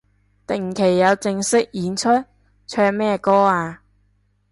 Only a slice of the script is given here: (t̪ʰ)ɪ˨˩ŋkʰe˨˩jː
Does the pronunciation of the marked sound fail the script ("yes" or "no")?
yes